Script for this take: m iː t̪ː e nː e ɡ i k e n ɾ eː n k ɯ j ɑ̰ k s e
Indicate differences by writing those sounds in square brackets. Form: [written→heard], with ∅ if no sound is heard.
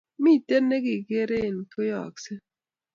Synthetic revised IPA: m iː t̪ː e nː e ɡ i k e [n→∅] ɾ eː n k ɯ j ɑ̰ k s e